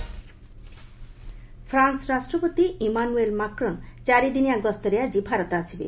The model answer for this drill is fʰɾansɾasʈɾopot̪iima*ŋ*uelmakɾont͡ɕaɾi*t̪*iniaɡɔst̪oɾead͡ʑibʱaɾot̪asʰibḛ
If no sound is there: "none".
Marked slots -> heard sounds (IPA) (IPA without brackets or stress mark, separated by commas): n, d̪